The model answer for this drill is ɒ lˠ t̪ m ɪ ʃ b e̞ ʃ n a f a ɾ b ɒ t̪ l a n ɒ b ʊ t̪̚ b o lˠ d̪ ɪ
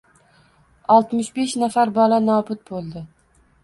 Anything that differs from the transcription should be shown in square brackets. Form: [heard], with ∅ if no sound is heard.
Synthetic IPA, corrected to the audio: ɒ lˠ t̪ m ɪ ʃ b e̞ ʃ n a f a ɾ b ɒ [∅] l a n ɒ b ʊ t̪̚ b o lˠ d̪ ɪ